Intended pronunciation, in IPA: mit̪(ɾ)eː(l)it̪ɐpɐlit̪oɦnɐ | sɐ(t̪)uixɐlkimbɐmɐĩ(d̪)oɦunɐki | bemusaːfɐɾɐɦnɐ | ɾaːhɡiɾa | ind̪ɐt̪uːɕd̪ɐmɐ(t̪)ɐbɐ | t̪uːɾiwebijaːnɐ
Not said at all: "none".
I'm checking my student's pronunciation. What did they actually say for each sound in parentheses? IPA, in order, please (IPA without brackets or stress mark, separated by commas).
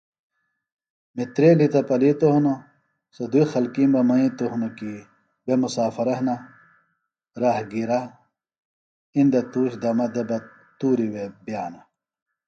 ɾ, l, d̪, t̪, d̪